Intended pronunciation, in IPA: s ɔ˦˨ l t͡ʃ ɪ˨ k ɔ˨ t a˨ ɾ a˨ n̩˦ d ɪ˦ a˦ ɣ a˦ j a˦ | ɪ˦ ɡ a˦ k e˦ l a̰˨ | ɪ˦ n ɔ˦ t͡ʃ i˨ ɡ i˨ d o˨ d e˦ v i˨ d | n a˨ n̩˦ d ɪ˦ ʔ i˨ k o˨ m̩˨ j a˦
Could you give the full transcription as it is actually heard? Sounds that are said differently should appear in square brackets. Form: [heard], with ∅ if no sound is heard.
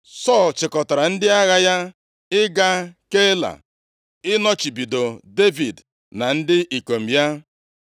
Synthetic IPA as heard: s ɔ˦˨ l t͡ʃ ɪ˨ k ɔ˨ t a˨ ɾ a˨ n̩˦ d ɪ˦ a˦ ɣ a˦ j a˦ | ɪ˦ ɡ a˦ k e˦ l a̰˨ | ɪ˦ n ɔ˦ t͡ʃ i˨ [b] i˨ d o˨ d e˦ v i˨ d | n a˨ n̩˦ d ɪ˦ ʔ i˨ k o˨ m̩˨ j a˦